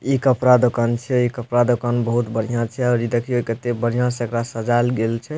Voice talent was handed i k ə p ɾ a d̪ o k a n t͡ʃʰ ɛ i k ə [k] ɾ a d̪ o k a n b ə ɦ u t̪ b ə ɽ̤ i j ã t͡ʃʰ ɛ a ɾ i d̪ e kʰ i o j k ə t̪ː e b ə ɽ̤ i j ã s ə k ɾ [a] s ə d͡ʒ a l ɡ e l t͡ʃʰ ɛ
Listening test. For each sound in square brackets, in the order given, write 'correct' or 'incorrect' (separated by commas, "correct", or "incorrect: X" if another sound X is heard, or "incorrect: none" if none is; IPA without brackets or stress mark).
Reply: incorrect: p, correct